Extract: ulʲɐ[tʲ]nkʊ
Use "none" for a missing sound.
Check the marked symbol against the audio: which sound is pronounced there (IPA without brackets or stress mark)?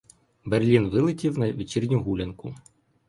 none